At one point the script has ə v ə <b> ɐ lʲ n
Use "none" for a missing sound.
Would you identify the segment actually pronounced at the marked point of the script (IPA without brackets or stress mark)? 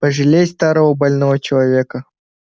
b